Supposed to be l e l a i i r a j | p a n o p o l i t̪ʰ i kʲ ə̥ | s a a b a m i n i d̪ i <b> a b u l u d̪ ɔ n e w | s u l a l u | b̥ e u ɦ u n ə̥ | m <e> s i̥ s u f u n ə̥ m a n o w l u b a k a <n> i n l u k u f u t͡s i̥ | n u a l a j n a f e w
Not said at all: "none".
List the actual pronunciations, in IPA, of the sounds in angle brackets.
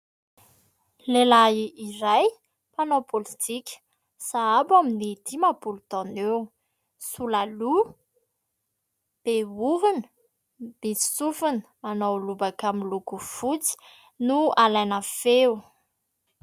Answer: m, i, m

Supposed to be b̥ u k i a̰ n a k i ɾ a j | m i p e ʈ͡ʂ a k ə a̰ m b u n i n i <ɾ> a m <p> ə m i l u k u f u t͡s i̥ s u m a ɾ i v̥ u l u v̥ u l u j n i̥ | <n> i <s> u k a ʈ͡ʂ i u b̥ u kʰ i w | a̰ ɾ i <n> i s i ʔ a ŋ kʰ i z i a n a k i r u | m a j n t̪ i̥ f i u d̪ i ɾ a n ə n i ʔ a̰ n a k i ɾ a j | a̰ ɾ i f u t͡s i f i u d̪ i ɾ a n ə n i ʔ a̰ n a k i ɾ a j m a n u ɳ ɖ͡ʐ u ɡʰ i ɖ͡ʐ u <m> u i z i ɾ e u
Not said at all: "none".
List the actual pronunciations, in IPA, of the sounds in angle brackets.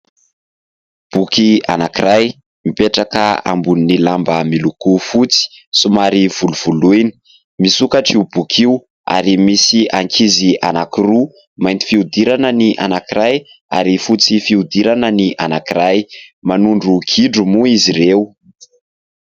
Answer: l, b, m, s, m, m

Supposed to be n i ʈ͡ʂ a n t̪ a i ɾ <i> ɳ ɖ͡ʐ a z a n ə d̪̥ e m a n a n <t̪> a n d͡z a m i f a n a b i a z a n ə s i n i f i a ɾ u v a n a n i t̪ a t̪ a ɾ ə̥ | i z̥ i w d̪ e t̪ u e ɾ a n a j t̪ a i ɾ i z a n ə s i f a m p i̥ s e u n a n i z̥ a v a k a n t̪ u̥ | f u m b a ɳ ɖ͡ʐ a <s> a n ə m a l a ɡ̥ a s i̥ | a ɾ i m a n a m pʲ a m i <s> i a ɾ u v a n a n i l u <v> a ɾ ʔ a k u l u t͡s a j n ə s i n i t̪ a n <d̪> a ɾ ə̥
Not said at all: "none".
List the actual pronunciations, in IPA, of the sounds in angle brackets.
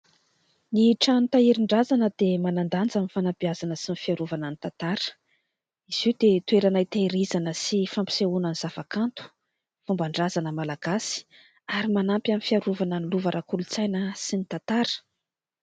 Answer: i, d̪, z, f, v, t̪

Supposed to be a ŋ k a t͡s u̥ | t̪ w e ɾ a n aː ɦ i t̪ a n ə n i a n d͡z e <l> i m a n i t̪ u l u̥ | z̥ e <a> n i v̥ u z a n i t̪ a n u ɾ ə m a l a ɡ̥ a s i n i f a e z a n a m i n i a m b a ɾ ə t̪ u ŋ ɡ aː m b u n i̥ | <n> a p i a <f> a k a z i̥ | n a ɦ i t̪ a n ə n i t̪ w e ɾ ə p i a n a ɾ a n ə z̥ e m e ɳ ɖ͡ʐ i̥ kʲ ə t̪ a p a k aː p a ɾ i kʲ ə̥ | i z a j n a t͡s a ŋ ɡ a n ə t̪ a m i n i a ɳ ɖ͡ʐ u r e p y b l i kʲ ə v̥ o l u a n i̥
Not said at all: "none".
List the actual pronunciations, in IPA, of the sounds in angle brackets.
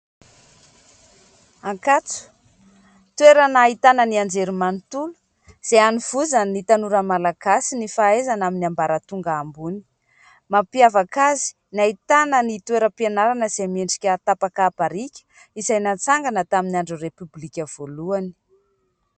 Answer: ɾ, a, m, v

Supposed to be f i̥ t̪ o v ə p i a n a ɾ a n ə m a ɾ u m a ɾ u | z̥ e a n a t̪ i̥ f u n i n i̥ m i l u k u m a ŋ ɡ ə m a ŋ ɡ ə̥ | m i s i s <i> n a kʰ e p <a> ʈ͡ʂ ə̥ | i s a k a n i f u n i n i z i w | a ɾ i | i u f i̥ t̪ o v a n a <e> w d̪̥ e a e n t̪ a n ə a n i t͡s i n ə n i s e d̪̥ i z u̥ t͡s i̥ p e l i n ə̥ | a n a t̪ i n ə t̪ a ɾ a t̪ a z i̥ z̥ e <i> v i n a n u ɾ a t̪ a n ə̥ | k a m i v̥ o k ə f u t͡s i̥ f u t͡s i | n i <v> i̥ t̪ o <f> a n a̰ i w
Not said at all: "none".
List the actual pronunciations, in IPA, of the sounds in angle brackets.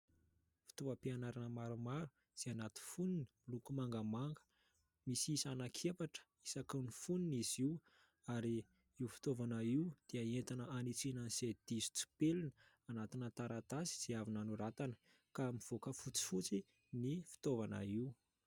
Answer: a, a, i, a, f, v

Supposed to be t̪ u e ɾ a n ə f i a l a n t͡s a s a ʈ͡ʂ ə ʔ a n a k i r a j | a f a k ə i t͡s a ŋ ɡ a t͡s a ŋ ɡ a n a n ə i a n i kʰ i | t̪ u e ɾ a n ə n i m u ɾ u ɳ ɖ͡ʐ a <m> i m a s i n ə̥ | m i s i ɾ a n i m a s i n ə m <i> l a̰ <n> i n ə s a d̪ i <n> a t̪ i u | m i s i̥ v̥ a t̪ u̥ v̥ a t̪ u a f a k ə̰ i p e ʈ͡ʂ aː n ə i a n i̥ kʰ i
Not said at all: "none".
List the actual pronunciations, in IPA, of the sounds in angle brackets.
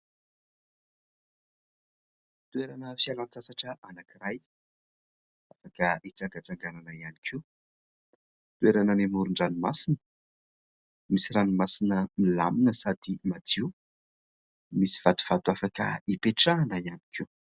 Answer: n, i, m, m

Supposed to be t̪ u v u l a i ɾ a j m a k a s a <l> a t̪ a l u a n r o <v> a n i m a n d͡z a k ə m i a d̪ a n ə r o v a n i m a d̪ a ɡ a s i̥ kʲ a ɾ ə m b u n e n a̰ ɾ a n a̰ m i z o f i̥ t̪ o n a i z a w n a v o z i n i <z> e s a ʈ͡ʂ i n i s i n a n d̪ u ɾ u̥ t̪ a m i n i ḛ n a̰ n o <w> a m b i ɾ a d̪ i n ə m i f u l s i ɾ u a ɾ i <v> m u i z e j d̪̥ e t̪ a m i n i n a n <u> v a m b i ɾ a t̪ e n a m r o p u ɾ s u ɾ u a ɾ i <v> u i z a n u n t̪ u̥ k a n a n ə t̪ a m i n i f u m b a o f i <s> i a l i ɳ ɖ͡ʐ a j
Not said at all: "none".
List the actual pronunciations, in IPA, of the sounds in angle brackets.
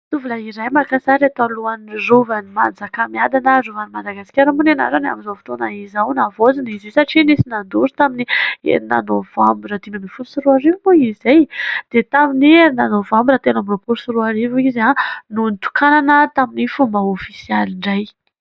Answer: ɾ, v, z, v, v, o, v, s

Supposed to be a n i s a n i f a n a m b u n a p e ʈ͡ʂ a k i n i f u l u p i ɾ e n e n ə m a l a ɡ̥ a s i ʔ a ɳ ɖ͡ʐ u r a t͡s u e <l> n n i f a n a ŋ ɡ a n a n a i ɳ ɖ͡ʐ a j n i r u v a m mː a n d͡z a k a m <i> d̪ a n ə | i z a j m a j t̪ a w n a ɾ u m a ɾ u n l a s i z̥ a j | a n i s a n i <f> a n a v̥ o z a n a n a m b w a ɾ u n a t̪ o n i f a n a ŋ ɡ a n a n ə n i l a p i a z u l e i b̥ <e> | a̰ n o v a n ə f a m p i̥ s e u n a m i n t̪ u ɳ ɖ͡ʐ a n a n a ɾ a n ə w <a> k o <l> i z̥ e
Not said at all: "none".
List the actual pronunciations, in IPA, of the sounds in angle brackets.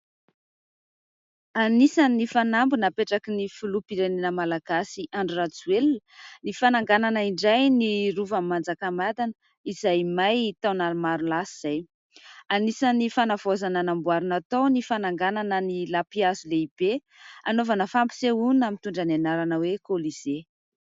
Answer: l, a, f, e, e, l

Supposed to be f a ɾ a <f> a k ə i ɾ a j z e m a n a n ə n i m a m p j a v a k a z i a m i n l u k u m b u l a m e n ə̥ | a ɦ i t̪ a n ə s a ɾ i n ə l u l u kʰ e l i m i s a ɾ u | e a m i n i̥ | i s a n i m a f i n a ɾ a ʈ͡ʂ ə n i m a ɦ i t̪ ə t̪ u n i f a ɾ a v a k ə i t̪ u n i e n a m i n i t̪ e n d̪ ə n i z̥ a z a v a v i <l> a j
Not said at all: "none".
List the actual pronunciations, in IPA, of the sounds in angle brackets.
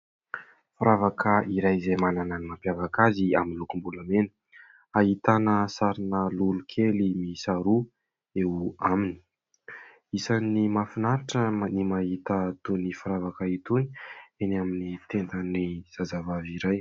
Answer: v, ɾ

